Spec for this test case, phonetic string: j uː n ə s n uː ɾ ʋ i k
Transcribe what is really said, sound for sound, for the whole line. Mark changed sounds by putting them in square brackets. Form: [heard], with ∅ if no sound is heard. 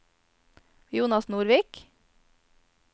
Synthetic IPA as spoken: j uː n [ɑ] s n uː ɾ ʋ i k